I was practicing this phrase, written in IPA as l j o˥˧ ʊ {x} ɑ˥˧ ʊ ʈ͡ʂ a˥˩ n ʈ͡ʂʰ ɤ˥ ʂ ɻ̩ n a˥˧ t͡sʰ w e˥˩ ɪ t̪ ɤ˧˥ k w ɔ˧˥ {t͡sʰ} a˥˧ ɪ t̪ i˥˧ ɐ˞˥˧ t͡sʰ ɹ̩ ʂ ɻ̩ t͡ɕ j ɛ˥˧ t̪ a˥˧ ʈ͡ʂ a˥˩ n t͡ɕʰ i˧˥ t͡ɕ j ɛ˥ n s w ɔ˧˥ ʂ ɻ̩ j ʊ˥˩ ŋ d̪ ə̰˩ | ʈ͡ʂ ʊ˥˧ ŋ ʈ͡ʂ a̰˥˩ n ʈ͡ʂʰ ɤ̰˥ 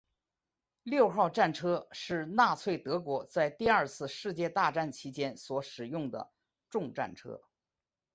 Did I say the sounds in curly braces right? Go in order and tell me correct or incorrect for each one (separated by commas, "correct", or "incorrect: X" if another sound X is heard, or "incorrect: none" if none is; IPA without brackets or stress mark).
correct, incorrect: t͡s